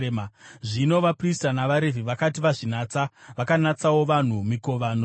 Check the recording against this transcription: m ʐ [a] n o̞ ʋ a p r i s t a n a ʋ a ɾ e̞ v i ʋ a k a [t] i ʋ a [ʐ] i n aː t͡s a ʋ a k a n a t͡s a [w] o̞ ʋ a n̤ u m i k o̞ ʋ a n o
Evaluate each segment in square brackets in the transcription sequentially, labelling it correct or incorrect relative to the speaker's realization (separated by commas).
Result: incorrect, correct, correct, correct